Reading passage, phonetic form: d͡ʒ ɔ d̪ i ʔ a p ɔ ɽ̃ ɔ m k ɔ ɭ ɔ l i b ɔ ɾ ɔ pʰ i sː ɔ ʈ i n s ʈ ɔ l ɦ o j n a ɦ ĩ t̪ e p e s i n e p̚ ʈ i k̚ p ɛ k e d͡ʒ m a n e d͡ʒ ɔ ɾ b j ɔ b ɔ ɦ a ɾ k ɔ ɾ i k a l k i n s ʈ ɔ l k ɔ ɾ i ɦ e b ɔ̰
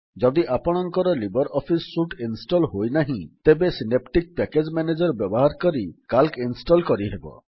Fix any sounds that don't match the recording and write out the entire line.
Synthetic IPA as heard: d͡ʒ ɔ d̪ i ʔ a p ɔ ɽ̃ ɔ ŋ k ɔ ɾ ɔ l i b ɔ ɾ ɔ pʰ i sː u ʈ i n s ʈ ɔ l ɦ o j n a ɦ ĩ t̪ e b e s i n e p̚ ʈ i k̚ p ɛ k e d͡ʒ m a n e d͡ʒ ɔ ɾ b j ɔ b ɔ ɦ a ɾ k ɔ ɾ i k a l k i n s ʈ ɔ l k ɔ ɾ i ɦ e b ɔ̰